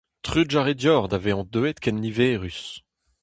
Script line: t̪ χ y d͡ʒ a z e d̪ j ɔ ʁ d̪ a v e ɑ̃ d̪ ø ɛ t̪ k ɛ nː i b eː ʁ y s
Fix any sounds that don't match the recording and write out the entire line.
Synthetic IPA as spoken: t̪ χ y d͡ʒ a ʁ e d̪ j ɔ ʁ d̪ a v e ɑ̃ d̪ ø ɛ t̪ k ɛ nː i v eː ʁ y s